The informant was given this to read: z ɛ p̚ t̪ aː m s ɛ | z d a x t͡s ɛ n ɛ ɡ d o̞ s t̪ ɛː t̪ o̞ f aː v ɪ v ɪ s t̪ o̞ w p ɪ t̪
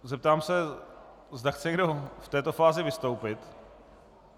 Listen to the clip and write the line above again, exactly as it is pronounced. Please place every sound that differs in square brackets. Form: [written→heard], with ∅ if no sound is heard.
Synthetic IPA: z ɛ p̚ t̪ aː m s ɛ | z d a x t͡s ɛ [n→ɲ] ɛ ɡ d o̞ [s→f] t̪ ɛː t̪ o̞ f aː [v→z] ɪ v ɪ s t̪ o̞ w p ɪ t̪